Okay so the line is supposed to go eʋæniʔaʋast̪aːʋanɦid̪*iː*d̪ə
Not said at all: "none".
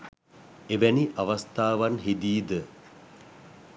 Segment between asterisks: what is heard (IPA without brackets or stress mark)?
iː